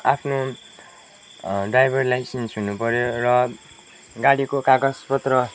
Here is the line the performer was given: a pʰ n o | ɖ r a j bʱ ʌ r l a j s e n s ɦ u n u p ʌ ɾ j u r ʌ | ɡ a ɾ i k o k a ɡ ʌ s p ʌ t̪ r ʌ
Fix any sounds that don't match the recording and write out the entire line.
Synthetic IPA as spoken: a pʰ n o | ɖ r a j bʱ ʌ r l a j s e n s ɦ u n u p ʌ ɾ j o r ʌ | ɡ a ɽ i k o k a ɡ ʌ s p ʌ t̪ r ʌ

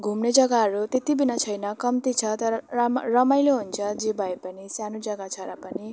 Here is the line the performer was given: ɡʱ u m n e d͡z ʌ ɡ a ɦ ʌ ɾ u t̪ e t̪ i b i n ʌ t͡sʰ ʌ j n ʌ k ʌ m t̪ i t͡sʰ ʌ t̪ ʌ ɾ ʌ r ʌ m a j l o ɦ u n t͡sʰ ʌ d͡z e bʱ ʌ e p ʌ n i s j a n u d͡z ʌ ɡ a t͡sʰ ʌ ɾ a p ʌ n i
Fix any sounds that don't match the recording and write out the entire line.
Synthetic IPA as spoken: ɡʱ u m n e d͡z ʌ ɡ a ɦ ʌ ɾ u t̪ e t̪ i b i n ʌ t͡sʰ ʌ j n ʌ k ʌ m t̪ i t͡sʰ ʌ t̪ ʌ ɾ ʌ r ʌ m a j l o ɦ u n t͡sʰ ʌ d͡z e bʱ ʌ e p ʌ n i s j a n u d͡z ʌ ɡ a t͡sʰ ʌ ɾ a p ʌ n i

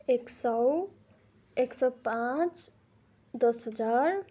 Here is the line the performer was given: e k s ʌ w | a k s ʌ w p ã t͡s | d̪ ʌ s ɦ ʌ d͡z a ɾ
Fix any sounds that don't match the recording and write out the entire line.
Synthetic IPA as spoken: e k s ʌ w | e k s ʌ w p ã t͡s | d̪ ʌ s ɦ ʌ d͡z a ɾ

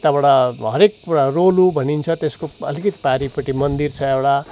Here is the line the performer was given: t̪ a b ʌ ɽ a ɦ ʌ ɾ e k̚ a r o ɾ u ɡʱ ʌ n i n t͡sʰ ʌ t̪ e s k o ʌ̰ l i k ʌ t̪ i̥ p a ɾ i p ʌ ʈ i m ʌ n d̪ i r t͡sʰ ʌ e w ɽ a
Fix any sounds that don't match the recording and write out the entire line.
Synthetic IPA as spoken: t̪ a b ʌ ɽ a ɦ ʌ ɾ e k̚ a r o l u bʱ ʌ n i n t͡sʰ ʌ t̪ e s k o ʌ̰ l i k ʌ t̪ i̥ p a ɾ i p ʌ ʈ i m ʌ n d̪ i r t͡sʰ ʌ e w ɽ a

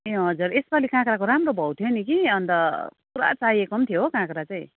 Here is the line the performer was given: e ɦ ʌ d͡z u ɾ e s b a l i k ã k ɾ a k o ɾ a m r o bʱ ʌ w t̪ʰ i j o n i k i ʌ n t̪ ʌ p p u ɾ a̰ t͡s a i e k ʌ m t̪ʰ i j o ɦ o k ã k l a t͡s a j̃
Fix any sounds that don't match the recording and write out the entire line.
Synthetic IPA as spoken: e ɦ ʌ d͡z u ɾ e s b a l i k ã k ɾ a k o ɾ a m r o bʱ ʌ w t̪ʰ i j o n i k i ʌ n t̪ ʌ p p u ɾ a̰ t͡s a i e k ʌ m t̪ʰ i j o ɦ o k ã k ɾ a t͡s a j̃

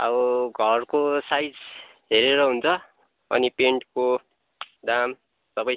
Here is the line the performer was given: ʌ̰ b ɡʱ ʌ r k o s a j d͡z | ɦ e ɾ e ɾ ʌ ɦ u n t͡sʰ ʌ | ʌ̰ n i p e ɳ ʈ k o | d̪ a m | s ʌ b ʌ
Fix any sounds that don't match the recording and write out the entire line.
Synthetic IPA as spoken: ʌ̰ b ɡʱ ʌ r k o s a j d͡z | ɦ e ɾ e ɾ ʌ ɦ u n t͡sʰ ʌ | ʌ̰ n i p e ɳ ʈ k o | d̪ a m | s ʌ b ʌ

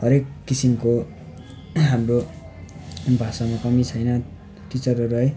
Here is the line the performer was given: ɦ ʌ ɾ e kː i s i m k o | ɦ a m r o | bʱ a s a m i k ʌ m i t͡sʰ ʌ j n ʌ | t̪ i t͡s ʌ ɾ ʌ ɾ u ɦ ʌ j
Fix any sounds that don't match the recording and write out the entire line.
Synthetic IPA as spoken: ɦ ʌ ɾ e kː i s i m k o | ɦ a m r o | bʱ a s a m a k ʌ m i t͡sʰ ʌ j n ʌ | t̪ i t͡s ʌ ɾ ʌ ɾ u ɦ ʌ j

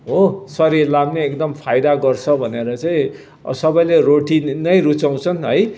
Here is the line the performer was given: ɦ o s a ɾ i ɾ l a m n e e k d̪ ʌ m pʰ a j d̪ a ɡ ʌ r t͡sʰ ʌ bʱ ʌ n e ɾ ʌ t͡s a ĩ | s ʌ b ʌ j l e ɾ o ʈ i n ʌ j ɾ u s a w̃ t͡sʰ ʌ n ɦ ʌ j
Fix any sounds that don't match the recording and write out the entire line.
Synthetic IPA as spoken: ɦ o s ʌ ɾ i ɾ l a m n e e k d̪ ʌ m pʰ a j d̪ a ɡ ʌ r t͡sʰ ʌ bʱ ʌ n e ɾ ʌ t͡s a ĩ | s ʌ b ʌ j l e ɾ o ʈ i n ʌ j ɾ u t͡s a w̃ t͡sʰ ʌ n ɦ ʌ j

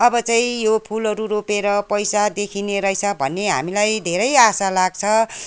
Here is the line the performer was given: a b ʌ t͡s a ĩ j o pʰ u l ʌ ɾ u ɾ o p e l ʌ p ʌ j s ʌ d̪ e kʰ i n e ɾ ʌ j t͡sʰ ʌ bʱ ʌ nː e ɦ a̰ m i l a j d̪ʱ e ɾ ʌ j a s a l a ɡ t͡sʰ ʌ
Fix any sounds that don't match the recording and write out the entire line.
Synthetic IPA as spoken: ʌ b ʌ t͡s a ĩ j o pʰ u l ʌ ɾ u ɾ o p e ɾ ʌ p ʌ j s a d̪ e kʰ i n e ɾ ʌ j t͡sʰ ʌ bʱ ʌ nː e ɦ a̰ m i l a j d̪ʱ e ɾ ʌ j a s a l a ɡ t͡sʰ ʌ

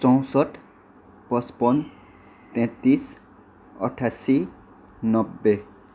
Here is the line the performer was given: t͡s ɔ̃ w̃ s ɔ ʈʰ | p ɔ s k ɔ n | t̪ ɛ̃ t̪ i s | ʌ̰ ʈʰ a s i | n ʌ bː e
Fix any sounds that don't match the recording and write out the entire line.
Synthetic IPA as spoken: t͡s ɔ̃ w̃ s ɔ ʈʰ | p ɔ s p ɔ n | t̪ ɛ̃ t̪ i s | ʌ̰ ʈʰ a s i | n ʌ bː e

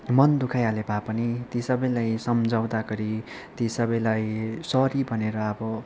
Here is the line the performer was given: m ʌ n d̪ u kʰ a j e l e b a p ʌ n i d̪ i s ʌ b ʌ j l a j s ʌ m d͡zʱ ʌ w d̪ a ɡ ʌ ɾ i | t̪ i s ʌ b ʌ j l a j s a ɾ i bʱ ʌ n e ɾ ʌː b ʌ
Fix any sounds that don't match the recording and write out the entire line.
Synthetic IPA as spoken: m ʌ n d̪ u kʰ a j a l e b a p ʌ n i t̪ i s ʌ b ʌ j l a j s ʌ m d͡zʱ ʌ w d̪ a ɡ ʌ ɾ i | t̪ i s ʌ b ʌ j l a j s ʌ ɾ i bʱ ʌ n e ɾ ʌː b ʌ

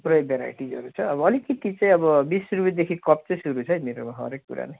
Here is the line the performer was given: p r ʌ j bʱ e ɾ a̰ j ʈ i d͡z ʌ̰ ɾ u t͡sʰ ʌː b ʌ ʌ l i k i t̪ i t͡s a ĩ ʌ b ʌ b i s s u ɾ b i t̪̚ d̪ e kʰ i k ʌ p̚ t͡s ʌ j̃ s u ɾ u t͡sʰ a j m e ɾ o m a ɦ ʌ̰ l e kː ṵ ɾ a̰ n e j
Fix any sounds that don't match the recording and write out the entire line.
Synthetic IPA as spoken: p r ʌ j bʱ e ɾ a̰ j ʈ i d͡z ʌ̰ ɾ u t͡sʰ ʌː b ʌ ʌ l i k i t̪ i t͡s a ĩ ʌ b ʌ b i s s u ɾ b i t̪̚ d̪ e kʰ i k ʌ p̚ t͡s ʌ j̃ s u ɾ u t͡sʰ ʌ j m e ɾ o m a ɦ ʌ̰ ɾ e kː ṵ ɾ a̰ n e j

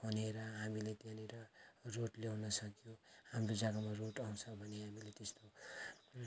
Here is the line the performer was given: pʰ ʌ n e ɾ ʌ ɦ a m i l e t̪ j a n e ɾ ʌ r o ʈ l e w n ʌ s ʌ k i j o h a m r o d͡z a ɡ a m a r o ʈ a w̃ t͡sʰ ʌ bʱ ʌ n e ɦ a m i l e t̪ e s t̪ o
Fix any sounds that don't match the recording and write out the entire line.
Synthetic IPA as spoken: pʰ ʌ n e ɾ ʌ ɦ a m i l e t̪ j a n e ɾ ʌ r o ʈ l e w n ʌ s ʌ k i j o h a m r o d͡z a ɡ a m a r o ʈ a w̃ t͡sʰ ʌ bʱ ʌ n e ɦ a m i l e t̪ e s t̪ o

